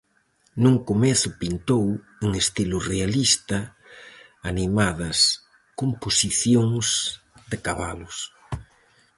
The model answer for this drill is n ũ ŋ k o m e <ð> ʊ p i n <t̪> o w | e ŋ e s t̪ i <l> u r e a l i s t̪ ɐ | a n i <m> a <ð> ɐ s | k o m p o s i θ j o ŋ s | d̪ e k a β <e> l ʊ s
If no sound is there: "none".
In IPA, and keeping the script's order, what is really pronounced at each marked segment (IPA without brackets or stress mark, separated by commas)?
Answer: θ, t̪, l, m, ð, a